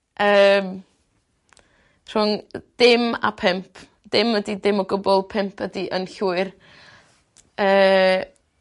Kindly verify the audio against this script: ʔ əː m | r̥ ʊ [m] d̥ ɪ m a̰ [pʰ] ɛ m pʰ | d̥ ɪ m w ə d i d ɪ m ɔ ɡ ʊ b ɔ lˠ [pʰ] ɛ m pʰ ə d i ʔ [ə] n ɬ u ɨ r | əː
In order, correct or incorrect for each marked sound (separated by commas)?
incorrect, correct, correct, correct